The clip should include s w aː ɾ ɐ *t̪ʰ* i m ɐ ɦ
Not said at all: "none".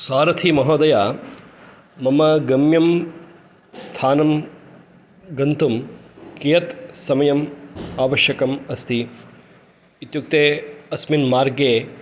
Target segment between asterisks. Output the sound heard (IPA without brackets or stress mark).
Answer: t̪ʰ